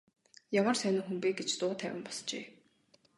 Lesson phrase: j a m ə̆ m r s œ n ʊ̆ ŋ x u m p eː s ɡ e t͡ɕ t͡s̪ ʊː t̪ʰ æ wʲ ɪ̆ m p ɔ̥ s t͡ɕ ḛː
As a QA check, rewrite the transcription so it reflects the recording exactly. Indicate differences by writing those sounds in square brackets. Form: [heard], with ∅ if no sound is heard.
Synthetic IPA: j a m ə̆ [∅] r s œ n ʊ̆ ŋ x u m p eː [∅] ɡ e t͡ɕ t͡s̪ ʊː t̪ʰ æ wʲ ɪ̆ m p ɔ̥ s t͡ɕ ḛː

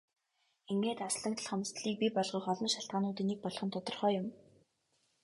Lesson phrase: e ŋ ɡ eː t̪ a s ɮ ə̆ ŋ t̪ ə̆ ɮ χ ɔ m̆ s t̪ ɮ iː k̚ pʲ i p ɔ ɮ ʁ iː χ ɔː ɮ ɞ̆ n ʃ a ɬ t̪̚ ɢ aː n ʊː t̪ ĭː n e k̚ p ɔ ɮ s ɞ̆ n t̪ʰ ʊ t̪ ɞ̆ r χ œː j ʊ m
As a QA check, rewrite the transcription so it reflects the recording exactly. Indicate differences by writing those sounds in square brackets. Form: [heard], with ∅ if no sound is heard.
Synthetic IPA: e ŋ ɡ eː t̪ a s ɮ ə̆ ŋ t̪ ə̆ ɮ χ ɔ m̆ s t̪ ɮ iː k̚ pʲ i p ɔ ɮ ʁ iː χ [ɔ] ɮ ɞ̆ n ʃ a ɬ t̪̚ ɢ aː n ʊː t̪ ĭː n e k̚ p ɔ ɮ [χ] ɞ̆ n t̪ʰ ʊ t̪ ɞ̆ r χ œː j ʊ m

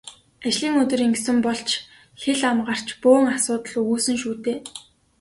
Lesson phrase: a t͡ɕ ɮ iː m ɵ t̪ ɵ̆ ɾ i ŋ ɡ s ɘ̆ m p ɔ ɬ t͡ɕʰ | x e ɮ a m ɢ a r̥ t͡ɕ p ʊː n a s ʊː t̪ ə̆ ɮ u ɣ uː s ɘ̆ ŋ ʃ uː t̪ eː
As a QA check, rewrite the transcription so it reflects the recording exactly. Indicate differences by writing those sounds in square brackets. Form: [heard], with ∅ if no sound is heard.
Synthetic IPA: a t͡ɕ ɮ iː [ŋ] ɵ t̪ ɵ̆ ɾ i ŋ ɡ s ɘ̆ m p ɔ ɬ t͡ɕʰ | x e ɮ a m ɢ a r̥ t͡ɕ p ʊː [ŋ] a s ʊː t̪ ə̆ ɮ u ɣ uː s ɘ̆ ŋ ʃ uː t̪ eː

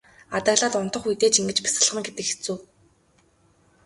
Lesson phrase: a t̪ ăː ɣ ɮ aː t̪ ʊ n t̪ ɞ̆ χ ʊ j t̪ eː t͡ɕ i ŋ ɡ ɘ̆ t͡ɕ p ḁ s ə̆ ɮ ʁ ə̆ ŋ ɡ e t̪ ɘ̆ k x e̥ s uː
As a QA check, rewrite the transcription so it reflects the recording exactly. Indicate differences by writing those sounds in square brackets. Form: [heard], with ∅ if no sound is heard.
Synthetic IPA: a t̪ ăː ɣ ɮ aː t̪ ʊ n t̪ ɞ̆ χ [u] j t̪ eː t͡ɕ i ŋ ɡ ɘ̆ t͡ɕ p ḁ s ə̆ ɮ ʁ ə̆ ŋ ɡ e t̪ ɘ̆ k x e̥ [t͡s] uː

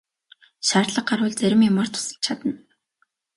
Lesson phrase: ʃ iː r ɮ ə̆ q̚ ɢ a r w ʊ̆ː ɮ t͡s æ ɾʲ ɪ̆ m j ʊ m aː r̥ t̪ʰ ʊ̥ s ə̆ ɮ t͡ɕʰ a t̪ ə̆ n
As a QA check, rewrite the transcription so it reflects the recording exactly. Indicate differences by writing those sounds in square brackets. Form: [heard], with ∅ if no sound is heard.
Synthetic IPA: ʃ [aː] r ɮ ə̆ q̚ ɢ a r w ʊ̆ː ɮ t͡s æ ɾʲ ɪ̆ m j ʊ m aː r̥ t̪ʰ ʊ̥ s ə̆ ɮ t͡ɕʰ a t̪ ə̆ n

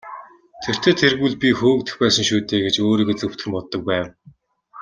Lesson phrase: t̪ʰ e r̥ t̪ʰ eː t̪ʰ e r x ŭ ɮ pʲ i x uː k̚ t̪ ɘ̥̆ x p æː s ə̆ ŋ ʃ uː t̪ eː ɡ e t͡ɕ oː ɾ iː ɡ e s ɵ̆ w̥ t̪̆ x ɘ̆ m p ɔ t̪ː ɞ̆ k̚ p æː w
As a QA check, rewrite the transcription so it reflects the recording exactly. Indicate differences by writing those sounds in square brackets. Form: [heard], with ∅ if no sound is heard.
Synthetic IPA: t̪ʰ e r̥ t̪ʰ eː t̪ʰ e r [ɣ] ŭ ɮ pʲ i x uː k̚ t̪ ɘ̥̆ x p æː s ə̆ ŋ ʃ uː t̪ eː ɡ e t͡ɕ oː ɾ iː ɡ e [t͡s] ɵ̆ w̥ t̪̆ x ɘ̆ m p ɔ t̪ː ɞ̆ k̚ p æː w

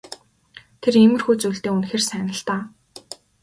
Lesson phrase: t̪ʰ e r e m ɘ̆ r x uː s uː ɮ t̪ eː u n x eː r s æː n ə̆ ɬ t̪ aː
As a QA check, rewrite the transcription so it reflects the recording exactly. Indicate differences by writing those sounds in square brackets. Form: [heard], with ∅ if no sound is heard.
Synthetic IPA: t̪ʰ e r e m ɘ̆ r x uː [t͡s] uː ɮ t̪ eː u n x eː r s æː n ə̆ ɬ t̪ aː

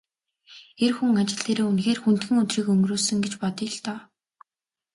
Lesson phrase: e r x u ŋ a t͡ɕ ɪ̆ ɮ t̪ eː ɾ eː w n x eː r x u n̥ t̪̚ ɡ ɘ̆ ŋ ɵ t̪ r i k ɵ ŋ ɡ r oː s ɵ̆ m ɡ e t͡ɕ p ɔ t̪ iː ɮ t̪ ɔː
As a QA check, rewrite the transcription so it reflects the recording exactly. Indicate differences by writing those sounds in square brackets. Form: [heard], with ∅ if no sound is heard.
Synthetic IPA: e r x u ŋ a t͡ɕ ɪ̆ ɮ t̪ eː ɾ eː [u] n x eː r x u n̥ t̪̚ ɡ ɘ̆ ŋ ɵ t̪ r [iː] k ɵ ŋ ɡ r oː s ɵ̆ [ŋ] ɡ e t͡ɕ p ɔ t̪ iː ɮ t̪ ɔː

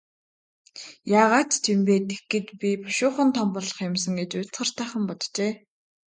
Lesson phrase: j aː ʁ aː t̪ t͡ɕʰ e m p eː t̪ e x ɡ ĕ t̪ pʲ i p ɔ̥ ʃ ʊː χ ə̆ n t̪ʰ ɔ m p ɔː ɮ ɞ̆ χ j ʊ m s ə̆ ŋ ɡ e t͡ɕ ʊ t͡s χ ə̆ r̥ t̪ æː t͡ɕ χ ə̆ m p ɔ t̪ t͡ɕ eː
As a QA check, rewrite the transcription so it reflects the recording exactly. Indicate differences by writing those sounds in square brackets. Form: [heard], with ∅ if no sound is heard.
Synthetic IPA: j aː ʁ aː t̪ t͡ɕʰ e m p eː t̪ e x ɡ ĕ t̪ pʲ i p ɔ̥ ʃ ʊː χ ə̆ n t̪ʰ ɔ m p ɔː ɮ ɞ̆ χ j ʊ m s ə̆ ŋ ɡ e t͡ɕ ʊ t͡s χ ə̆ r̥ t̪ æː [∅] χ ə̆ m p ɔ t̪ t͡ɕ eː

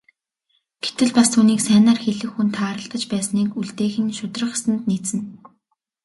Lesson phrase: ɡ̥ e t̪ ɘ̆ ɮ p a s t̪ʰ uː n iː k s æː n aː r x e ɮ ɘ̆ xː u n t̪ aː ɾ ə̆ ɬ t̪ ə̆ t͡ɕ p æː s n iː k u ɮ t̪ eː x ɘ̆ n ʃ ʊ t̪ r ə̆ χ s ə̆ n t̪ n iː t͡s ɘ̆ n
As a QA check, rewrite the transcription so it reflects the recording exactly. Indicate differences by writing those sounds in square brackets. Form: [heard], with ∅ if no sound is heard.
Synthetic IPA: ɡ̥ e t̪ ɘ̆ ɮ p a s t̪ʰ uː n iː k s æː n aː r x e ɮ ɘ̆ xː u n [t̪ʰ] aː ɾ ə̆ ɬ t̪ ə̆ t͡ɕ p æː s n iː k u ɮ t̪ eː x ɘ̆ n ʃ ʊ t̪ r ə̆ χ s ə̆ n t̪ n iː t͡s ɘ̆ n

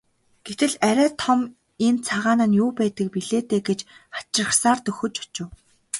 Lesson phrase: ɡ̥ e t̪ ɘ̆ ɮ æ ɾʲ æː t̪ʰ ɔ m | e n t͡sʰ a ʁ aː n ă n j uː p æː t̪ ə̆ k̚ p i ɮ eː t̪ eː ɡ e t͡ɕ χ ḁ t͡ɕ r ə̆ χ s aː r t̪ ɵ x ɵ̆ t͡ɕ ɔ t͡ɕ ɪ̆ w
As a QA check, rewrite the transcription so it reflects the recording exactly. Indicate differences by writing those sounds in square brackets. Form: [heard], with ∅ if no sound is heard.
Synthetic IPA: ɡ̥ e t̪ ɘ̆ ɮ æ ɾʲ æː t̪ʰ ɔ m | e n t͡sʰ a ʁ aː n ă n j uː p æː t̪ ə̆ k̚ p i ɮ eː t̪ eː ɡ e t͡ɕ χ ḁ t͡ɕ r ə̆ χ s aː r t̪ ɵ x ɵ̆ t͡ɕ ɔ t͡ɕ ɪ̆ w

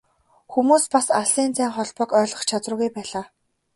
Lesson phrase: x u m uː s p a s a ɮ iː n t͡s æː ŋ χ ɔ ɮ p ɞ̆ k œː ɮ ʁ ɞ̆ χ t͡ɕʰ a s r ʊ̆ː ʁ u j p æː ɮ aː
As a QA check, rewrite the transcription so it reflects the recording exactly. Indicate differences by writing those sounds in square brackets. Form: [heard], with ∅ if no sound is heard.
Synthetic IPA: x u m uː s p a s a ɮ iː n t͡s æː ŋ χ ɔ ɮ p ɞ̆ k œː ɮ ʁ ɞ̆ χ t͡ɕʰ a [t͡s] r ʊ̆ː [ɣ] u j p æː ɮ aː

